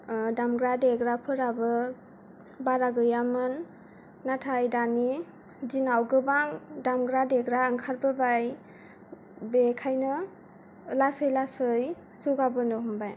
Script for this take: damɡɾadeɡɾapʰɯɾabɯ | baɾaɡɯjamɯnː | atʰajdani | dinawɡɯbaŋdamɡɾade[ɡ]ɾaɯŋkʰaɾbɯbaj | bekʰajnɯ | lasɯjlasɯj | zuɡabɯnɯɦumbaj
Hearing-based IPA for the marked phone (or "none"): ɡ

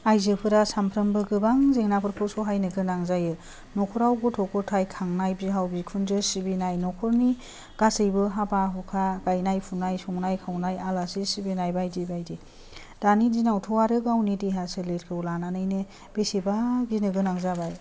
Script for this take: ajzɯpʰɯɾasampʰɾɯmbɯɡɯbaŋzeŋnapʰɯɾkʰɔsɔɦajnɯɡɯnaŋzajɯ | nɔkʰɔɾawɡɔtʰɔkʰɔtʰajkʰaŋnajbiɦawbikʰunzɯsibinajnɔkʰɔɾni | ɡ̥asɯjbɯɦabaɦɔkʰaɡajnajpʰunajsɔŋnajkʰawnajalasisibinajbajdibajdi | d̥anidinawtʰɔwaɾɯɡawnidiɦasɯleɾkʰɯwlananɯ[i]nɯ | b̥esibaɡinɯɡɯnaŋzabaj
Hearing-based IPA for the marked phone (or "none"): j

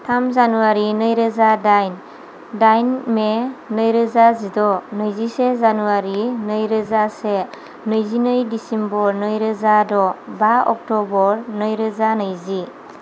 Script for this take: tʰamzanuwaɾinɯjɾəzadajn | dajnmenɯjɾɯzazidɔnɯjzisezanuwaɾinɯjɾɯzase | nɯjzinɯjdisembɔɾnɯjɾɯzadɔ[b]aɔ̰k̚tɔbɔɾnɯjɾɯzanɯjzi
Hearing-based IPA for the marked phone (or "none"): b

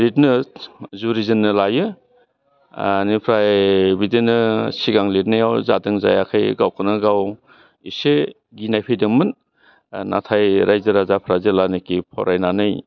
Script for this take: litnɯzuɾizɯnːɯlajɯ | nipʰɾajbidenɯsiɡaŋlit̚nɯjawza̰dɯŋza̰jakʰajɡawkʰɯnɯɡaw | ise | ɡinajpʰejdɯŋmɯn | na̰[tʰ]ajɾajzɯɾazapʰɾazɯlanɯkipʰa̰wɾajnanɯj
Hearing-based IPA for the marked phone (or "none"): tʰ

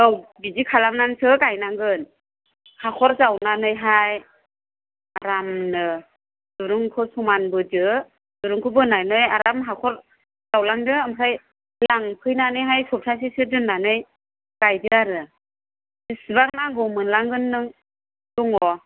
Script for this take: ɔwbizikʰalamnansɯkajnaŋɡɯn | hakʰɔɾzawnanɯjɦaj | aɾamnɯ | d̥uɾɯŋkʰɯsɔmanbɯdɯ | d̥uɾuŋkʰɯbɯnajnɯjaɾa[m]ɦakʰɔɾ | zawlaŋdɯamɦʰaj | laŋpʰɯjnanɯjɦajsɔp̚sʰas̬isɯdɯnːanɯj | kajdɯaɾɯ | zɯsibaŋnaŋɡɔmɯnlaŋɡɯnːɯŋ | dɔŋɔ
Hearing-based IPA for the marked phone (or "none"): m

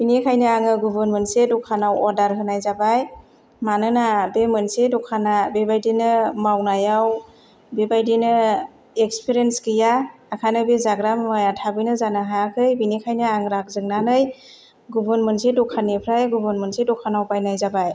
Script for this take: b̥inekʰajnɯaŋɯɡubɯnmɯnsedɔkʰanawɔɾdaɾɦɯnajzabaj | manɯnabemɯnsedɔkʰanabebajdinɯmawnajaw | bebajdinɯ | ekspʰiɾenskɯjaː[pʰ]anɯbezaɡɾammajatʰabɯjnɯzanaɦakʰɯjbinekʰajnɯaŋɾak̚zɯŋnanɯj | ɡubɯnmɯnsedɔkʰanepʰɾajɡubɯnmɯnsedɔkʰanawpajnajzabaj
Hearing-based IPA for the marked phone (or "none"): kʰ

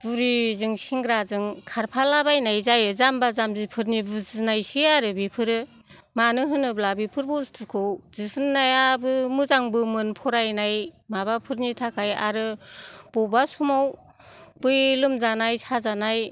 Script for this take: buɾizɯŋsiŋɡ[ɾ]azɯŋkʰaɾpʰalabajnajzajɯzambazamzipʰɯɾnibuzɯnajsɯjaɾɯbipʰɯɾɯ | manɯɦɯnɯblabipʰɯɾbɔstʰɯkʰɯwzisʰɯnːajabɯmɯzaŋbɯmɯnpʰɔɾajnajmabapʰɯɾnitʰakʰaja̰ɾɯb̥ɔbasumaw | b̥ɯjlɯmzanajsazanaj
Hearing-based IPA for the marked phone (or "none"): ɾ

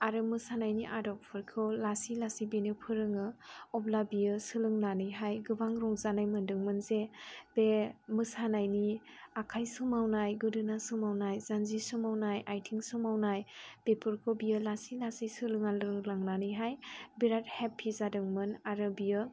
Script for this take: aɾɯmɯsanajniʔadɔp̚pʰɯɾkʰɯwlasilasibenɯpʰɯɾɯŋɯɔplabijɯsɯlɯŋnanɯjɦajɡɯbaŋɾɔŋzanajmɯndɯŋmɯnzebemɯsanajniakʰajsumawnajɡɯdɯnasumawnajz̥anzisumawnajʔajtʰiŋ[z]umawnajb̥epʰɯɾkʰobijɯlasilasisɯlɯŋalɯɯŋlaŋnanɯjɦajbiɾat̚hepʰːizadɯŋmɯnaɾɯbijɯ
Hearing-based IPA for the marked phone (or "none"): s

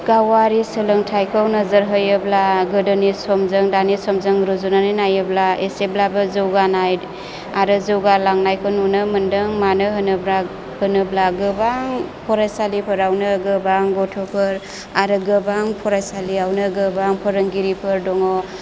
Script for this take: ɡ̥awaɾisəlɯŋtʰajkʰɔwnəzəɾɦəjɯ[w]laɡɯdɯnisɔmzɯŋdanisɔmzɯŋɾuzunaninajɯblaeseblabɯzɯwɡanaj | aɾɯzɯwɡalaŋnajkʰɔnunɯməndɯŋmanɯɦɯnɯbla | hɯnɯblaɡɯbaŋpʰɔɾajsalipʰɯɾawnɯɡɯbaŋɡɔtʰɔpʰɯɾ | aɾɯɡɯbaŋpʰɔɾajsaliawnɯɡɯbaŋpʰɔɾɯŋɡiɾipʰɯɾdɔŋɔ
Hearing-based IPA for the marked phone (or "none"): b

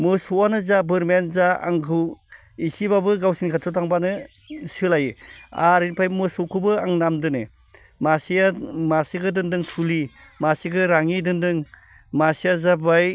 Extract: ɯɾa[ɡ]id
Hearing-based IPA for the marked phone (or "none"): ŋ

